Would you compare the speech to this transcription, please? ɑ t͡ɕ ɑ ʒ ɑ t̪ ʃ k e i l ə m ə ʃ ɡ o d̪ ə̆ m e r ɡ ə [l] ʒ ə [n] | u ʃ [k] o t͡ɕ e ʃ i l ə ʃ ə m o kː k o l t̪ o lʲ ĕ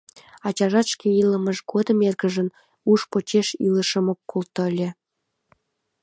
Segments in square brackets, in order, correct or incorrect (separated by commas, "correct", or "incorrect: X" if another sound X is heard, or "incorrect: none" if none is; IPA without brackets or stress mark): incorrect: none, correct, incorrect: p